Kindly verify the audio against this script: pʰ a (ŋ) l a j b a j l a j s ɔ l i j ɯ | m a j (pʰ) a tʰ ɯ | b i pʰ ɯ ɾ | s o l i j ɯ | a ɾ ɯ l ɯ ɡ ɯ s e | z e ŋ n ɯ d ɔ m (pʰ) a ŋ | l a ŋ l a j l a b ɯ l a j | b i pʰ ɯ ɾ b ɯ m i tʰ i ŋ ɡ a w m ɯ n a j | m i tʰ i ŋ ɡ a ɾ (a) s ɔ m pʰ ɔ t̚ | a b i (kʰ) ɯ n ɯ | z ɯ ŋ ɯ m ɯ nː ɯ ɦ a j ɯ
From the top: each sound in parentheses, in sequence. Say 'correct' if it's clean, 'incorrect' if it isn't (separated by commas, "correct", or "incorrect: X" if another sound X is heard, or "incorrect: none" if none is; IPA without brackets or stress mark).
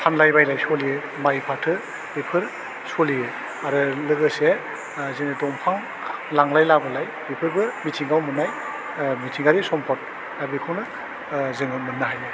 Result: incorrect: n, correct, correct, incorrect: i, correct